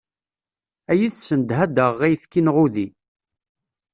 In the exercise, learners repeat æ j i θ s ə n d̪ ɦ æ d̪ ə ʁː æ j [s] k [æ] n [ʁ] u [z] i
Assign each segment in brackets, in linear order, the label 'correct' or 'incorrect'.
incorrect, incorrect, correct, incorrect

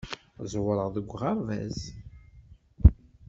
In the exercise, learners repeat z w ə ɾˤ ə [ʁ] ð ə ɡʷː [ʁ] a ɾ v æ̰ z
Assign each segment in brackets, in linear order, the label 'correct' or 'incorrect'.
correct, correct

